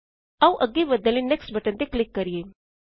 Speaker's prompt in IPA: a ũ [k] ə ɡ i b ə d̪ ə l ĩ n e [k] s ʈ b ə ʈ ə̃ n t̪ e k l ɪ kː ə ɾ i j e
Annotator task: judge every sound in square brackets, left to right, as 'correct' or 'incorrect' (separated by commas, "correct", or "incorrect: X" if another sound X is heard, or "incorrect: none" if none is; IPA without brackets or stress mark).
incorrect: ʔ, correct